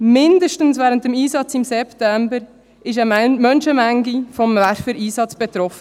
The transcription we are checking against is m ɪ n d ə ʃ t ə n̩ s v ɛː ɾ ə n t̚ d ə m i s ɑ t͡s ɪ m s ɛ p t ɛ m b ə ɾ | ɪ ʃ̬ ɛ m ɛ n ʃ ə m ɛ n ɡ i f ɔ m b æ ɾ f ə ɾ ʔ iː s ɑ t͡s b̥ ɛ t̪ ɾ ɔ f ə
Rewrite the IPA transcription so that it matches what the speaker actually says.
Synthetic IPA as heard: m ɪ n d ə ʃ t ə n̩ s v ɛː ɾ ə n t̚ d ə m iː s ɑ t͡s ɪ m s ɛ p t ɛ m b ə ɾ | ɪ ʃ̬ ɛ m œ n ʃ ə m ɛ ŋ ɡ i f ɔ m v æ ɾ f ə ɾ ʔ iː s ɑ t͡s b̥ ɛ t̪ ɾ ɔ f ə